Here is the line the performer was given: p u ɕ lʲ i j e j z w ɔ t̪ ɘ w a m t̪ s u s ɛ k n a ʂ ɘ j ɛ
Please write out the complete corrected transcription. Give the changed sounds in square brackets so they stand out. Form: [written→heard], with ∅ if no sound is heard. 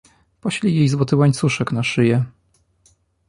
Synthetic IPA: p [u→ɔ] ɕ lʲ i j e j z w ɔ t̪ ɘ w a [m→ɲ] t̪ s u [s→ʂ] ɛ k n a ʂ ɘ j ɛ

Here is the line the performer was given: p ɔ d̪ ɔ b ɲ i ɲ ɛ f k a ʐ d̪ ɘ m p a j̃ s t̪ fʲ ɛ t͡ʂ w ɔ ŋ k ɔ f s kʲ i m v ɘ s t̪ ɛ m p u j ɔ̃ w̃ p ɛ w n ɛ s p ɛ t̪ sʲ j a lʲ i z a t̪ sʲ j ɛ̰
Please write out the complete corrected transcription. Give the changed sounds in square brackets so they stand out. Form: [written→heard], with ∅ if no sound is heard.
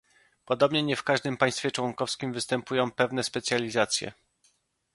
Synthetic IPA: p ɔ d̪ ɔ b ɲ [i→ɛ] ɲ ɛ f k a ʐ d̪ ɘ m p a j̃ s t̪ fʲ ɛ t͡ʂ w ɔ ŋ k ɔ f s kʲ i m v ɘ s t̪ ɛ m p u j ɔ̃ w̃ p ɛ [w→v] n ɛ s p ɛ t̪ sʲ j a lʲ i z a t̪ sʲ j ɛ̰

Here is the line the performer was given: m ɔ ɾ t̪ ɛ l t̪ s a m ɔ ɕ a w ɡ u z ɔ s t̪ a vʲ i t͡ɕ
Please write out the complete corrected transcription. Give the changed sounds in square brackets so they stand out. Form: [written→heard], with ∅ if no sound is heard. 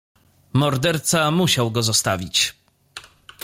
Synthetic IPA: m ɔ ɾ [t̪→d̪] ɛ [l→ɾ] t̪ s a m [ɔ→u] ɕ a w ɡ [u→ɔ] z ɔ s t̪ a vʲ i t͡ɕ

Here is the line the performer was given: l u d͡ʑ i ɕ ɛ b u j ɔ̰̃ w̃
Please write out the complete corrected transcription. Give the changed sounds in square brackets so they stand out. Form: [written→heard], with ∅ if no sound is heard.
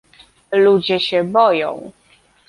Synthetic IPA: l u d͡ʑ [i→ɛ] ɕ ɛ b [u→ɔ] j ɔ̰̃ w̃

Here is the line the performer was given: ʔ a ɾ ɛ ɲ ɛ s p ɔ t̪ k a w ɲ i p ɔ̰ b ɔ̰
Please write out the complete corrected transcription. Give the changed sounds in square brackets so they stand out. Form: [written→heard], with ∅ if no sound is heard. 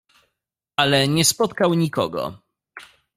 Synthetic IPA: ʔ a [ɾ→l] ɛ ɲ ɛ s p ɔ t̪ k a w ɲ i [p→k] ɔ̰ [b→ɡ] ɔ̰

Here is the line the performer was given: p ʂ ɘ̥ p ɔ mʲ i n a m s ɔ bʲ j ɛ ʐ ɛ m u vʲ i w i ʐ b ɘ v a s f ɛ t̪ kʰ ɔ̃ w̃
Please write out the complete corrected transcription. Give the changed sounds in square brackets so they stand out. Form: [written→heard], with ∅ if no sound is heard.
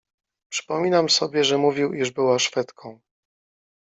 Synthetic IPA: p ʂ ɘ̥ p ɔ mʲ i n a m s ɔ bʲ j ɛ ʐ ɛ m u vʲ i w i ʐ b ɘ [v→w] a [s→ʂ] f ɛ t̪ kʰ ɔ̃ w̃

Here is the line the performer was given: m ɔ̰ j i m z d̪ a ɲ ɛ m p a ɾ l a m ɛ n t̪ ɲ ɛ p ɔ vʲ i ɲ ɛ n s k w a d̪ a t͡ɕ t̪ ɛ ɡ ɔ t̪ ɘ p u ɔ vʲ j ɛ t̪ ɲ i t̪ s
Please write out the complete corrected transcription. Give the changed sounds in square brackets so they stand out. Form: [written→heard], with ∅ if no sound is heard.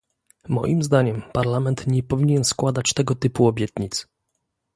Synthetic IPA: m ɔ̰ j i m z d̪ a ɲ ɛ m p a ɾ l a m ɛ n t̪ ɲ ɛ p ɔ vʲ i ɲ ɛ n s k w a d̪ a t͡ɕ t̪ ɛ ɡ ɔ t̪ ɘ p u ɔ [vʲ→bʲ] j ɛ t̪ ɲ i t̪ s

